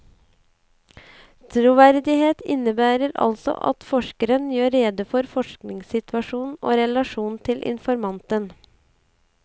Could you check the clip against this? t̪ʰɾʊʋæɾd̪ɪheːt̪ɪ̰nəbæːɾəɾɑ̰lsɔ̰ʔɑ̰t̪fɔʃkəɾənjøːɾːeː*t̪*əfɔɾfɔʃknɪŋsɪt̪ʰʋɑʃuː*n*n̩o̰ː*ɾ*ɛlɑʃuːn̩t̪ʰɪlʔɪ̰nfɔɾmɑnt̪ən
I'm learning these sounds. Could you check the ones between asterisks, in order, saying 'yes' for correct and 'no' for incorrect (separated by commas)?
no, yes, yes